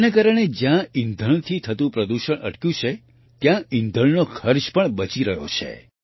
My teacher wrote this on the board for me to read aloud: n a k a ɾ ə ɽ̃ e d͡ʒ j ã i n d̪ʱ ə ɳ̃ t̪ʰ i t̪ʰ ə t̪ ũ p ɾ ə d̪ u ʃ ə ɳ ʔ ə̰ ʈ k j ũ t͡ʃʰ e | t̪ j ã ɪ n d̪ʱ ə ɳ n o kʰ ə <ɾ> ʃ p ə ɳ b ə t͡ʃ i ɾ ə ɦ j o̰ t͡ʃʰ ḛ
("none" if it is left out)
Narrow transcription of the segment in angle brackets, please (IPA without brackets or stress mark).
ɾ